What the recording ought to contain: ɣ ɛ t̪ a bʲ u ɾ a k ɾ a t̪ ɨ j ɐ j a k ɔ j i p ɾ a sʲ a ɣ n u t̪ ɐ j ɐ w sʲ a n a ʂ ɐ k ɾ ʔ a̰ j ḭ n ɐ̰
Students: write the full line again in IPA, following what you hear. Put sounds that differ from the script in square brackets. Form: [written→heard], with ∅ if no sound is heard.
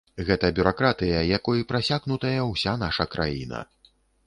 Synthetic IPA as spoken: ɣ ɛ t̪ [a→ɐ] bʲ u ɾ a k ɾ a t̪ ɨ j ɐ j a k ɔ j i p ɾ a sʲ a ɣ n u t̪ ɐ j ɐ w sʲ a n a ʂ ɐ k ɾ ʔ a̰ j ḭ n ɐ̰